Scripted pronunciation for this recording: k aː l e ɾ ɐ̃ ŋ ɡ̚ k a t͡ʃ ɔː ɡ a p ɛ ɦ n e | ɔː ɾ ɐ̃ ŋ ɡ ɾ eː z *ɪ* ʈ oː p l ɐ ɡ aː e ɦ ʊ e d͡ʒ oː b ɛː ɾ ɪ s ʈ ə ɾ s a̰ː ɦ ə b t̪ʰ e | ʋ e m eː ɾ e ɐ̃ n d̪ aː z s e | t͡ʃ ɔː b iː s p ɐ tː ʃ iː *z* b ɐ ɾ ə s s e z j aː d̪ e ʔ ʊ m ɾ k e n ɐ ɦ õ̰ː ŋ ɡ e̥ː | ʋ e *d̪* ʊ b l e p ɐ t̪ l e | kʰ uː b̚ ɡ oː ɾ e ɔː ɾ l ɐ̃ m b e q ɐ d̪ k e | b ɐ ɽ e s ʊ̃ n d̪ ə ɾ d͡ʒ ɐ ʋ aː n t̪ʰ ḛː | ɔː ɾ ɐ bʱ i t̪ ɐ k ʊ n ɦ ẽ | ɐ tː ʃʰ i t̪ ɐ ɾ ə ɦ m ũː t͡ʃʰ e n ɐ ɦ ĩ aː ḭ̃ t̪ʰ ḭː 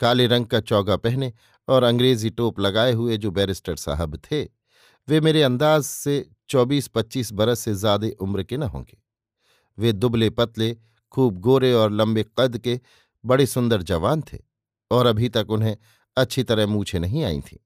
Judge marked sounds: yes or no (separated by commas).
no, no, yes